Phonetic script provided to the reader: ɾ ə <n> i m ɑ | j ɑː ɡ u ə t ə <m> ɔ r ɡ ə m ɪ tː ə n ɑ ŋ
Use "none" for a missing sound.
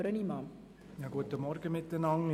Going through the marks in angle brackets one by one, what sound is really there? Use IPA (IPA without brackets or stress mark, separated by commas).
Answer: n, m